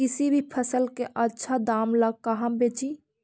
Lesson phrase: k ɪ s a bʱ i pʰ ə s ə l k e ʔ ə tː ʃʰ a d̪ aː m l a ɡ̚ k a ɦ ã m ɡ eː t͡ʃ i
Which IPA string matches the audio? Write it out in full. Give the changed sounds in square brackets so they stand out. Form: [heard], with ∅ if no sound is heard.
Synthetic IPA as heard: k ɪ s [i] bʱ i pʰ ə s ə l k e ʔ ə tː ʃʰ a d̪ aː m l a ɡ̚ k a ɦ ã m [b] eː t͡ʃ i